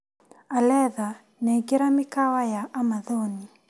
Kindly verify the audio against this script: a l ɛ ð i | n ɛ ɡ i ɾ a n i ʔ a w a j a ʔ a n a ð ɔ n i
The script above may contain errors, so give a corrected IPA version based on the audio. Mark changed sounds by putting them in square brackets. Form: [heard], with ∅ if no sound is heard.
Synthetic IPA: a l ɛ ð [a] | n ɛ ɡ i ɾ a [m] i [k] a w a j a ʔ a [m] a ð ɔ n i

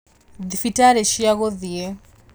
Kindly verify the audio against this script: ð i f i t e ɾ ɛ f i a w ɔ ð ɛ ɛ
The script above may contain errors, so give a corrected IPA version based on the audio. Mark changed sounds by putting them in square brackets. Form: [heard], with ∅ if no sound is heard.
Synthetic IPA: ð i f i t [a] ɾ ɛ [ʃ] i a [ɣ] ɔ ð [i] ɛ

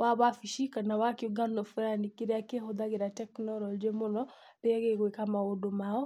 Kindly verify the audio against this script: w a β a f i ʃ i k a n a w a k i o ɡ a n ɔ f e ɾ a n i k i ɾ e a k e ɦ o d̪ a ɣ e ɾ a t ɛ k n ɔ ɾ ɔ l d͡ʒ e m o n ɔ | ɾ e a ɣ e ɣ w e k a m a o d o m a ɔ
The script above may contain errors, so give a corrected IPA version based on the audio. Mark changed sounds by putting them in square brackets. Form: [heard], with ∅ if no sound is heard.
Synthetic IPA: w a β a f i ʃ i k a n a w a k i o ɡ a n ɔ f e ɾ a n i k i ɾ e a k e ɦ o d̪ a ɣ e ɾ a t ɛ k n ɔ ɾ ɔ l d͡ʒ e m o n ɔ | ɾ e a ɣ e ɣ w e k a m a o d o m a ɔ

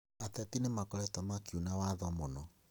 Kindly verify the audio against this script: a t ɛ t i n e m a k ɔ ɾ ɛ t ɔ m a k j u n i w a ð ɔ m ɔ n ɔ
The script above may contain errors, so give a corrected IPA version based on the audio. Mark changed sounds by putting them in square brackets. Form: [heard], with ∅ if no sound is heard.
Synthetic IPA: a t ɛ t i n e m a k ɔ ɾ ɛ t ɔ m a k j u n [a] w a ð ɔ m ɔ n ɔ

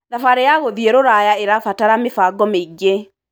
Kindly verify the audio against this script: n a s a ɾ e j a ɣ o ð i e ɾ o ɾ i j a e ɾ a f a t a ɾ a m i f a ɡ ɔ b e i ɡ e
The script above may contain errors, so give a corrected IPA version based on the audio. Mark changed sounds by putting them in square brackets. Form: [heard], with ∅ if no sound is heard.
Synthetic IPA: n a [f] a ɾ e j a ɣ o ð i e ɾ o ɾ [a] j a e ɾ a f a t a ɾ a m [e] f a ɡ ɔ [m] e i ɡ e

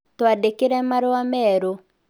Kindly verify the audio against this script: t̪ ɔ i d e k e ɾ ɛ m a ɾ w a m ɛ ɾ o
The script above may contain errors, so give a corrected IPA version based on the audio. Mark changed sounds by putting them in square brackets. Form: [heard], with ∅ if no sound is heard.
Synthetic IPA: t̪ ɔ [a] d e k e ɾ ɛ m a ɾ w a m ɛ ɾ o

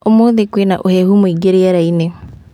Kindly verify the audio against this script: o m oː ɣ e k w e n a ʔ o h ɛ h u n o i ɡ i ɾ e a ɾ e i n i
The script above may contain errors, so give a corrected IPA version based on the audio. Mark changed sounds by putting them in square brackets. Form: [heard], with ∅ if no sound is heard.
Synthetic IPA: o m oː [ð] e k w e n a ʔ o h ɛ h u [m] o i ɡ [e] ɾ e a ɾ [a] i n [e]

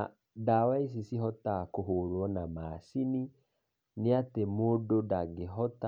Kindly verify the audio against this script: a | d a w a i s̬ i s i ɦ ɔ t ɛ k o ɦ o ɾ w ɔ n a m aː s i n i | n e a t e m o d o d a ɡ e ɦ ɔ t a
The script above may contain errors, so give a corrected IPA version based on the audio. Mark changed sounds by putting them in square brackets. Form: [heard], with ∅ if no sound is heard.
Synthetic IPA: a | d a w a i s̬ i s i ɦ ɔ t [a] k o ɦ o ɾ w ɔ n a m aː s i n i | n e a t e m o d o d a ɡ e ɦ ɔ t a

